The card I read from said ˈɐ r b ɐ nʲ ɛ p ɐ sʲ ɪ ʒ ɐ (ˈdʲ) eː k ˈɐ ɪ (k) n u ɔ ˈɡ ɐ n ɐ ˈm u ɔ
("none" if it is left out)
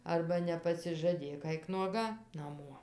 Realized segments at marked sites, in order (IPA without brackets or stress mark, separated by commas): dʲ, k